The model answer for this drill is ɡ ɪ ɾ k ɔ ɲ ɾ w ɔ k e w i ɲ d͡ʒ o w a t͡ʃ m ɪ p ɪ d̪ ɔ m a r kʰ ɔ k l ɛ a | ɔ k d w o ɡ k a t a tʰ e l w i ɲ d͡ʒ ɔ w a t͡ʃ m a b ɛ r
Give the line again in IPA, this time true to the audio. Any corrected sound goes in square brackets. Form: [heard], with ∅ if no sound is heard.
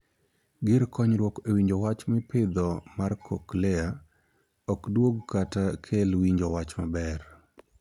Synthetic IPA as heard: ɡ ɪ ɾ k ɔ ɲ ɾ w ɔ k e w i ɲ d͡ʒ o w a t͡ʃ m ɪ p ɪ d̪ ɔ m a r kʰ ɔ k l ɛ a | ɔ k d w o ɡ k a t a [kʰ] e l w i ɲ d͡ʒ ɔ w a t͡ʃ m a b ɛ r

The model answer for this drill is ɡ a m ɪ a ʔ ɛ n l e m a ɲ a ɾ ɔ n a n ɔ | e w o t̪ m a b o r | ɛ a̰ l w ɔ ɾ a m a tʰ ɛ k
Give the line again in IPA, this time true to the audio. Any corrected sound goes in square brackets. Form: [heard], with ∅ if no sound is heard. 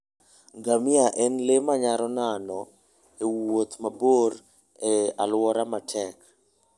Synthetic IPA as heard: ɡ a m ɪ a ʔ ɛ n l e m a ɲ a ɾ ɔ n a n ɔ | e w o t̪ m a b o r | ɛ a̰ l w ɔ ɾ a m a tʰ ɛ k

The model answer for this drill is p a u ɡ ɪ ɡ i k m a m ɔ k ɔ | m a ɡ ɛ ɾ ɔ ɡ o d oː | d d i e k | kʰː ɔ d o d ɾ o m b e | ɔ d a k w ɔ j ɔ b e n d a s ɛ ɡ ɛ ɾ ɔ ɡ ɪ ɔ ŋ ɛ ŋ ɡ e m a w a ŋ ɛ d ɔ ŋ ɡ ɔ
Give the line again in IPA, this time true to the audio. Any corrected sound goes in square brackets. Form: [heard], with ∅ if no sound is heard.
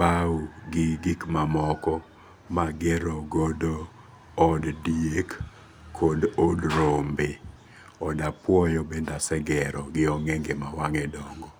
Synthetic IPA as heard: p a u ɡ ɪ ɡ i k m a m ɔ k ɔ | m a ɡ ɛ ɾ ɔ ɡ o d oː | d d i e k | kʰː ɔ d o d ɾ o m b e | ɔ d a [p] w ɔ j ɔ b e n d a s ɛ ɡ ɛ ɾ ɔ ɡ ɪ ɔ ŋ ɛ ŋ ɡ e m a w a ŋ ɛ d ɔ ŋ ɡ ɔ

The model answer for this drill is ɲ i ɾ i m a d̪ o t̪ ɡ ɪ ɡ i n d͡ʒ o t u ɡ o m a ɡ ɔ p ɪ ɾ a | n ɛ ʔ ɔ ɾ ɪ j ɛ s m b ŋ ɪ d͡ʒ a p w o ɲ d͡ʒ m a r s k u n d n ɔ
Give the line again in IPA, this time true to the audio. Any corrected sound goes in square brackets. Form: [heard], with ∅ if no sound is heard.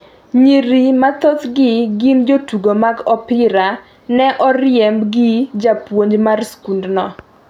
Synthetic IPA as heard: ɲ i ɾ i m a [t̪] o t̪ ɡ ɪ ɡ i n d͡ʒ o t u ɡ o m a ɡ ɔ p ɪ ɾ a | n ɛ ʔ ɔ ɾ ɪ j ɛ [∅] m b [ɡ] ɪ d͡ʒ a p w o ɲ d͡ʒ m a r s k u n d n ɔ

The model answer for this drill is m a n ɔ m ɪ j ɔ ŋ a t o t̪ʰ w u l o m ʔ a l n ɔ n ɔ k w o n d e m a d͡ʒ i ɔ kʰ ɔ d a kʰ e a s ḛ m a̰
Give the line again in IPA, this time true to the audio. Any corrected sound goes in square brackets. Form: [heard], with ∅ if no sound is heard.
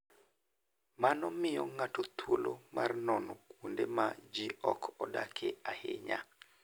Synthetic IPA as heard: m a n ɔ m ɪ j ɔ ŋ a t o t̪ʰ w [o] l o m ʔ a [r] n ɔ n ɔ k w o n d e m a d͡ʒ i ɔ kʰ ɔ d a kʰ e a [h] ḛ [ɲ] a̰

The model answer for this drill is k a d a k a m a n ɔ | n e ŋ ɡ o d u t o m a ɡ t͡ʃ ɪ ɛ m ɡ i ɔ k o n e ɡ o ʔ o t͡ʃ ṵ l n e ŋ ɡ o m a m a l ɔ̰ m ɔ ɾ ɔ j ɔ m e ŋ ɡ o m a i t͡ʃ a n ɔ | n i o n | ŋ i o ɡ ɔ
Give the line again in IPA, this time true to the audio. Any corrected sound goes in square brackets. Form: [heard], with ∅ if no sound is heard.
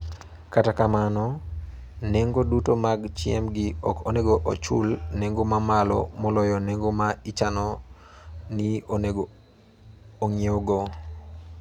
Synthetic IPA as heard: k a [t] a k a m a n ɔ | n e ŋ ɡ o d u t o m a ɡ t͡ʃ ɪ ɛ m ɡ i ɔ k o n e ɡ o ʔ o t͡ʃ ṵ l n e ŋ ɡ o m a m a l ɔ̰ m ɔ [l] ɔ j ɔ [n] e ŋ ɡ o m a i t͡ʃ a n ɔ | n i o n | ŋ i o ɡ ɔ

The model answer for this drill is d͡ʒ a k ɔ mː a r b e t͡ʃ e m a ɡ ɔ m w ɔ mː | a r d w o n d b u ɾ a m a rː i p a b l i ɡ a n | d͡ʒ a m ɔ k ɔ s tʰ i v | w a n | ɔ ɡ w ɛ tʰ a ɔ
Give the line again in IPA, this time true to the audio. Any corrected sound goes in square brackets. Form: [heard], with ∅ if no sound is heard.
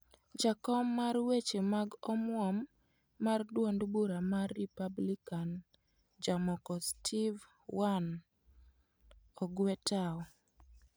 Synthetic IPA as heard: d͡ʒ a k ɔ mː a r [w] e t͡ʃ e m a ɡ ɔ m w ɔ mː | a r d w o n d b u ɾ a m a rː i p a b l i [k] a n | d͡ʒ a m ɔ k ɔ s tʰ i v | w a n | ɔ ɡ w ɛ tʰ a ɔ

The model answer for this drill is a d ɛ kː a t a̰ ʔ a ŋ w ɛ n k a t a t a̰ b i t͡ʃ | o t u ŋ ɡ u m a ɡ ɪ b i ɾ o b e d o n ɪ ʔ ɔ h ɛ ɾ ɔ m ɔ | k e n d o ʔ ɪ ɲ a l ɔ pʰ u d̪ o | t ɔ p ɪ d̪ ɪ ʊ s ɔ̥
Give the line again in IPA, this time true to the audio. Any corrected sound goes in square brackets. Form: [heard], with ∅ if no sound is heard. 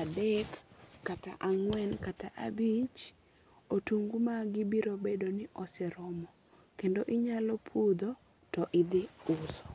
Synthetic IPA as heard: a d ɛ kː a t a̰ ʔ a ŋ w ɛ n k a t a [ʔ] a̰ b i t͡ʃ | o t u ŋ ɡ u m a ɡ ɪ b i ɾ o b e d o n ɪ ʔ ɔ [s] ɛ ɾ ɔ m ɔ | k e n d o ʔ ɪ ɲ a l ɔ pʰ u d̪ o | t ɔ [ʔ] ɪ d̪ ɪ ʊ s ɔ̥

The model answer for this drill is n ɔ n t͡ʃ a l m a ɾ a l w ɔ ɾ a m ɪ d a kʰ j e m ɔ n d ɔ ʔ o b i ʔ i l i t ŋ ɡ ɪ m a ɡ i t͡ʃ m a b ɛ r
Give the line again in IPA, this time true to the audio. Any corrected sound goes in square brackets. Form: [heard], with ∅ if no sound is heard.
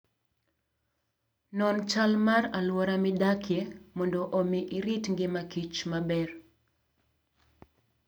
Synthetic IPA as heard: n ɔ n t͡ʃ a l m a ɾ a l w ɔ ɾ a m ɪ d a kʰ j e m ɔ n d ɔ ʔ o [m] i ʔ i [ɾ] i t ŋ ɡ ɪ m a [k] i t͡ʃ m a b ɛ r

